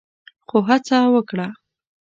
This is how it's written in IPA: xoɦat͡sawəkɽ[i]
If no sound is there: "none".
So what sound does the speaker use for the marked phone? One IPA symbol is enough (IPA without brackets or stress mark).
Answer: a